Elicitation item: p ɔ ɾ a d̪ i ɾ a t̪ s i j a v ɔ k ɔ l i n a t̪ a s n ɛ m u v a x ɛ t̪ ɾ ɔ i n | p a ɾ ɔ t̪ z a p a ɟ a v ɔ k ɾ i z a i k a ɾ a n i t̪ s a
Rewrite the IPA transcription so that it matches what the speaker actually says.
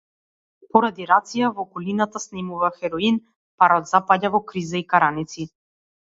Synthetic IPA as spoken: p ɔ ɾ a d̪ i ɾ a t̪ s i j a v ɔ k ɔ l i n a t̪ a s n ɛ m u v a x ɛ ɾ ɔ i n | p a ɾ ɔ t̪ z a p a ɟ a v ɔ k ɾ i z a i k a ɾ a n i t̪ s i